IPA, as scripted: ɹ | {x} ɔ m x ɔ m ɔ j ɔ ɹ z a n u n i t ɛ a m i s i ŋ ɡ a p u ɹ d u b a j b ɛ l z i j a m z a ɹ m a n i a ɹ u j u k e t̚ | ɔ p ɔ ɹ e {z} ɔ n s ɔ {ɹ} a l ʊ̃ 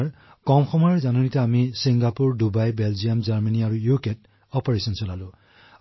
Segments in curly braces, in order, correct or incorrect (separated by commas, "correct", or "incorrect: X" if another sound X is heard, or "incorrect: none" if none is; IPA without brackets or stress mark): incorrect: k, incorrect: s, incorrect: l